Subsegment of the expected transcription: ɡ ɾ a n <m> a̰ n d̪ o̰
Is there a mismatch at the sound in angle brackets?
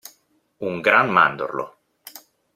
no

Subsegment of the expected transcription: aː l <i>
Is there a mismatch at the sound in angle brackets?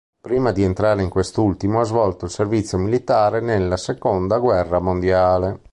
yes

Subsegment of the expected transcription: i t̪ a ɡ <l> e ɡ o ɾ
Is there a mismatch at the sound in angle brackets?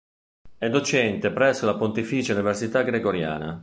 yes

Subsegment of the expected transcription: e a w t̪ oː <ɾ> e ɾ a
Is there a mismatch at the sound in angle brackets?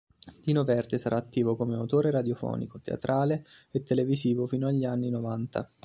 no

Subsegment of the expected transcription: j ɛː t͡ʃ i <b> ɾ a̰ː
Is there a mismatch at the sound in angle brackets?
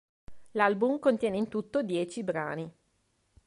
no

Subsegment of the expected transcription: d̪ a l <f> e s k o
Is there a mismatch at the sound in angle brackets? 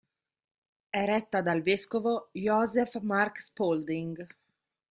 yes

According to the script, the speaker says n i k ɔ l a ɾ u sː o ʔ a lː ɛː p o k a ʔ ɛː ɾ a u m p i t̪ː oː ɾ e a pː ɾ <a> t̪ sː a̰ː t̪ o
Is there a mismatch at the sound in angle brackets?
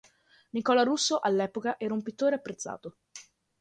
yes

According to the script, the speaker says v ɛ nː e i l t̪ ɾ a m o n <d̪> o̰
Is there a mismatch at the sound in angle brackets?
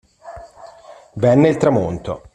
yes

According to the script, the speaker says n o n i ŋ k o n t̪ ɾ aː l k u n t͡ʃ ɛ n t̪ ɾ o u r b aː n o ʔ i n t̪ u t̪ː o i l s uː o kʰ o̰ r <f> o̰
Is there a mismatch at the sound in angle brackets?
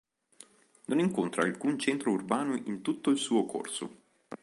yes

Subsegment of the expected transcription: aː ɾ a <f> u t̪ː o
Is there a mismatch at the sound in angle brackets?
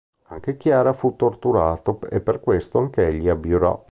no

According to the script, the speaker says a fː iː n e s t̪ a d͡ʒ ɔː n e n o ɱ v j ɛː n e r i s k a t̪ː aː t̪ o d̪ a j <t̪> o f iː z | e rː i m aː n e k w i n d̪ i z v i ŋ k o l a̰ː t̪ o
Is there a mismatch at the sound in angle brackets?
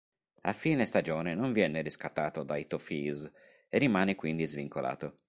no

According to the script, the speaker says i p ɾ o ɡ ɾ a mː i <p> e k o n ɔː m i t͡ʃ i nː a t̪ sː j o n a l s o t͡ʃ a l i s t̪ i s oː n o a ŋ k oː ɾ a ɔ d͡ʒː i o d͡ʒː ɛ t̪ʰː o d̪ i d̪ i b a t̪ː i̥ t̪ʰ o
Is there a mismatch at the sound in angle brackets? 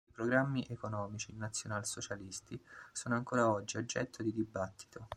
yes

